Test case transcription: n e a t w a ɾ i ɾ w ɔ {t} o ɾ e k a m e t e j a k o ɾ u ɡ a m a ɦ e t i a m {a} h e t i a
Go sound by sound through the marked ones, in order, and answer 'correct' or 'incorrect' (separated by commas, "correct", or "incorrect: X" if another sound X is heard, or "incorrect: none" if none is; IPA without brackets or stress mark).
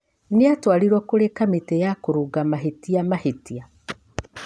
incorrect: k, correct